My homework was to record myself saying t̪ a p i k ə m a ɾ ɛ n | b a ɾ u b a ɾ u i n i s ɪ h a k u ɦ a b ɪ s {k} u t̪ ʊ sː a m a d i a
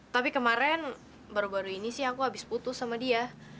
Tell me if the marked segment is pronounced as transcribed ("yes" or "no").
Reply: no